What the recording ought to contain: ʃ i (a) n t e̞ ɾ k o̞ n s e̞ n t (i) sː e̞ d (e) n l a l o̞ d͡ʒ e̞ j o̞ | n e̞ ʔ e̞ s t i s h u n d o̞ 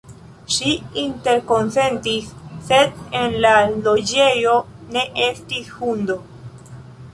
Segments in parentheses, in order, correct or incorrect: incorrect: i, correct, correct

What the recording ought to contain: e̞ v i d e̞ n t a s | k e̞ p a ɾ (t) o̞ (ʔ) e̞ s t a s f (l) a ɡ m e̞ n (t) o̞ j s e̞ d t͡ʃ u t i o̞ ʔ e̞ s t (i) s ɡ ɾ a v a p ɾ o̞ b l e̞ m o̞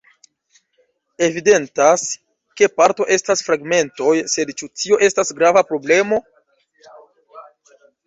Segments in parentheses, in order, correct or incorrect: correct, correct, incorrect: ɾ, correct, incorrect: a

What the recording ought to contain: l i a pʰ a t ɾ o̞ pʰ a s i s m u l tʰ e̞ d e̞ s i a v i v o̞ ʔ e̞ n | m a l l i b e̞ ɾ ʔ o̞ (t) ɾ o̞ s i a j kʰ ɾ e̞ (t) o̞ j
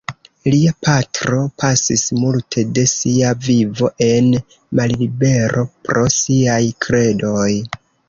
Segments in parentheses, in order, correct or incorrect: incorrect: p, incorrect: d

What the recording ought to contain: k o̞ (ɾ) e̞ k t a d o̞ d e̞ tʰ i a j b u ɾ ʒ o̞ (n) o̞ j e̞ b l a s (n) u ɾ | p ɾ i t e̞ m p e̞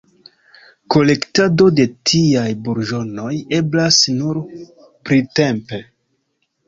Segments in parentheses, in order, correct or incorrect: incorrect: l, correct, correct

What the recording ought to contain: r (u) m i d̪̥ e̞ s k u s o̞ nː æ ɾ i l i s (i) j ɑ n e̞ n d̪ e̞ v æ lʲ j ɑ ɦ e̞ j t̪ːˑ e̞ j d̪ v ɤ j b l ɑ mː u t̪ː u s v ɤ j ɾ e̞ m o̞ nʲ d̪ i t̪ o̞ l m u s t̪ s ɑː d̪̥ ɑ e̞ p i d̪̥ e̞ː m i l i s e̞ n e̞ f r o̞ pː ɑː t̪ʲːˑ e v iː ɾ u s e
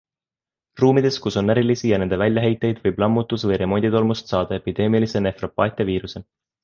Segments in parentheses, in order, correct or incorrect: incorrect: uː, correct

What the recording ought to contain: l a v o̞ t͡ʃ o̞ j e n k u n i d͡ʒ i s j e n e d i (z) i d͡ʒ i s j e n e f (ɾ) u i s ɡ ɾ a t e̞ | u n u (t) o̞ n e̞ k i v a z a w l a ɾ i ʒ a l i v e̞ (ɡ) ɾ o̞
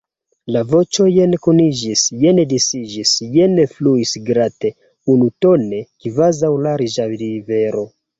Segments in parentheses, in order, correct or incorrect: incorrect: s, incorrect: l, correct, incorrect: none

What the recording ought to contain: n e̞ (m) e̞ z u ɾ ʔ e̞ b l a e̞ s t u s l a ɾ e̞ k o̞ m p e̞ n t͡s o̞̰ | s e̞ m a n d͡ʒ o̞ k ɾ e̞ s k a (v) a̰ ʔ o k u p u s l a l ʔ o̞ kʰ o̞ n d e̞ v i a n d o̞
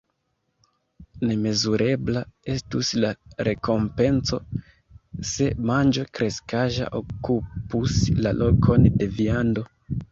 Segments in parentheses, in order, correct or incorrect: correct, incorrect: ʒ

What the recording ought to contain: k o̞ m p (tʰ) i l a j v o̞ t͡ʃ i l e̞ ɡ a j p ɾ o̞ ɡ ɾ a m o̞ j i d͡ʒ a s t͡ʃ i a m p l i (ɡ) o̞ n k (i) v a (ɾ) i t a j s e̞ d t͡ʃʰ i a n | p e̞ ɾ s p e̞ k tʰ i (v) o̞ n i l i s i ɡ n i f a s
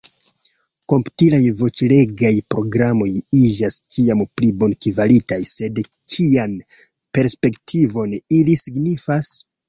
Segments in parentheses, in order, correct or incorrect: incorrect: t, incorrect: b, correct, incorrect: l, correct

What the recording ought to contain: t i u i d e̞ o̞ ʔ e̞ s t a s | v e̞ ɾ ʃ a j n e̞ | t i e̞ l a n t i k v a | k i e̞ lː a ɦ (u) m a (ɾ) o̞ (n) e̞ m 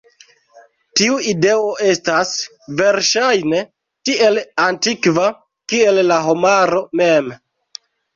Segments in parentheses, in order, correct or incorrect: incorrect: o, correct, incorrect: m

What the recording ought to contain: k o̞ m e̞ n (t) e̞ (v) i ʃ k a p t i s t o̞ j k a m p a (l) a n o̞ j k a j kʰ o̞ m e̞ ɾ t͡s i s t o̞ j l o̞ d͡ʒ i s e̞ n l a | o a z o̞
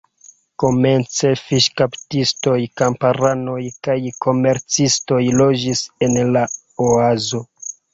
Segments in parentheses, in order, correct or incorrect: incorrect: t͡s, incorrect: f, incorrect: ɾ

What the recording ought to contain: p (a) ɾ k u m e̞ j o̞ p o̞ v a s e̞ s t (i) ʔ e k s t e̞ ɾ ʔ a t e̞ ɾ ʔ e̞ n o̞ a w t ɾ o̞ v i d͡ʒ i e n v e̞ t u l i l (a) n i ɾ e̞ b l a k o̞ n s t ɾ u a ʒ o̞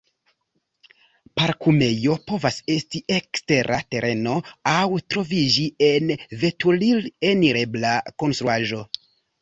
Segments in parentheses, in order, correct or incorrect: correct, correct, incorrect: e

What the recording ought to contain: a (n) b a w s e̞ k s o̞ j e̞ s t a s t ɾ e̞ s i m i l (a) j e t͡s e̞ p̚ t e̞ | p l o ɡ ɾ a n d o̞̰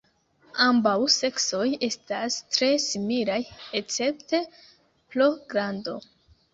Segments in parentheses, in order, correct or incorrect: incorrect: m, correct

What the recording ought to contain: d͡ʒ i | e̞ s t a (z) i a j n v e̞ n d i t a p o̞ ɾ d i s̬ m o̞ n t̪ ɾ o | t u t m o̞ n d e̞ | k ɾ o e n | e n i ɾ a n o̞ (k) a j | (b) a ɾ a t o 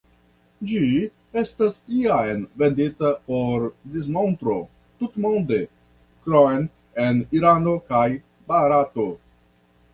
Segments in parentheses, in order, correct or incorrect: incorrect: s, correct, correct

